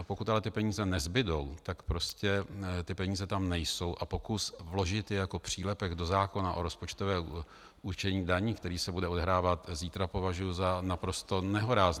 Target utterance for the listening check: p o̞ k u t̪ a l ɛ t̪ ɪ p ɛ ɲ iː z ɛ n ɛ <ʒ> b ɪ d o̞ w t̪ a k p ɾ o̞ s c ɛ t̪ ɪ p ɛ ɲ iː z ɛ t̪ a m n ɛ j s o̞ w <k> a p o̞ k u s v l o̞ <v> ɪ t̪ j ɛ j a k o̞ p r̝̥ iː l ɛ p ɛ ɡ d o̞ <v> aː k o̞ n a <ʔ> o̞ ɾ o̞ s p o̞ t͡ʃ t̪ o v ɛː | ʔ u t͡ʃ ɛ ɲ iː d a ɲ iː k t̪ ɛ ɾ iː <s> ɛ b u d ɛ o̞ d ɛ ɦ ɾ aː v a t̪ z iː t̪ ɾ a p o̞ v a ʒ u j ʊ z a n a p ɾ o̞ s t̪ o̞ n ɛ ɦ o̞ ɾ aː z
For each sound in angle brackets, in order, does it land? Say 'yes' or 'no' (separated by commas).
no, no, no, no, yes, yes